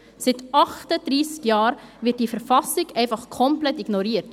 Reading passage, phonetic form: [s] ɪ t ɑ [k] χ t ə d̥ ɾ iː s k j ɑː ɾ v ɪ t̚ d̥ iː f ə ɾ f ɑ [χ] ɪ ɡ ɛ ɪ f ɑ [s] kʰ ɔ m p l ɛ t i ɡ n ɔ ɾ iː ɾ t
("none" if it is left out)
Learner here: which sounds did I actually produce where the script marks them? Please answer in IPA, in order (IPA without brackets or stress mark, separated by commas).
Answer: s, none, s, χ